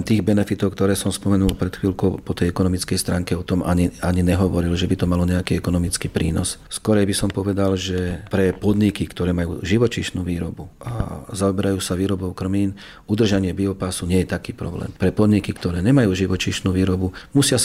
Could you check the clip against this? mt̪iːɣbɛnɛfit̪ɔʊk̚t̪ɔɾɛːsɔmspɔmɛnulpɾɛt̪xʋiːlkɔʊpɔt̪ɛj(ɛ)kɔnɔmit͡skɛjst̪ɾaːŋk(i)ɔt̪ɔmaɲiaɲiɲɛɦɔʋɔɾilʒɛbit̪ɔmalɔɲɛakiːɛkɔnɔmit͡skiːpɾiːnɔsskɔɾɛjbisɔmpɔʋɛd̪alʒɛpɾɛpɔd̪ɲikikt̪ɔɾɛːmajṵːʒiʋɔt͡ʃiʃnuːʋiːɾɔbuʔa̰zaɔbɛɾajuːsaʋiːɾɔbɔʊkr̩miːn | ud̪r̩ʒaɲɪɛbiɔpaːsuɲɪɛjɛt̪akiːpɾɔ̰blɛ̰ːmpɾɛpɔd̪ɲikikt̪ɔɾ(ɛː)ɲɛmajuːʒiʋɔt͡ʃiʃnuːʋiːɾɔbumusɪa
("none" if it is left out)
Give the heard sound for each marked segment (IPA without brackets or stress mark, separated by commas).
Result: ɛ, ɛ, ɛː